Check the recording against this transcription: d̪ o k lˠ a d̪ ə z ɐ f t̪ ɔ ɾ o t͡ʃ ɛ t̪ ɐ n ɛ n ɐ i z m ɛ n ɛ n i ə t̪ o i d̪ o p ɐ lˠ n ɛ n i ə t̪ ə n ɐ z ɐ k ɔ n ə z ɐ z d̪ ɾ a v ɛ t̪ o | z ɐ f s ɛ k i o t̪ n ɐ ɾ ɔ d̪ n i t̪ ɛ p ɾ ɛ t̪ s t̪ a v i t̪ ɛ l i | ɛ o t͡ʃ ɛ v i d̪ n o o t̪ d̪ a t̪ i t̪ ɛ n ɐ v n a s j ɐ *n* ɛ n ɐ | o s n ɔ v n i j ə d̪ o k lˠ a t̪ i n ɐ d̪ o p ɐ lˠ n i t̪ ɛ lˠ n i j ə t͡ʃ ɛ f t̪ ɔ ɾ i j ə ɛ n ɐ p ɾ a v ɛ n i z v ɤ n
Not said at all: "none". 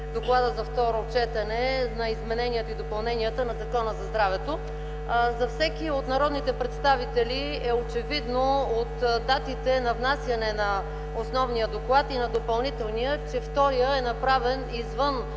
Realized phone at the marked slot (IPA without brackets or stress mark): n